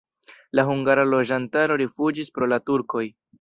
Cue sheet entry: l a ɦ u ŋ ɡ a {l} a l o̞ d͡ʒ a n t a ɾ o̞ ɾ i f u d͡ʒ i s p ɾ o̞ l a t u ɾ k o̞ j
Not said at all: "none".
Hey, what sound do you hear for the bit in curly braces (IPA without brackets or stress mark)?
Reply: ɾ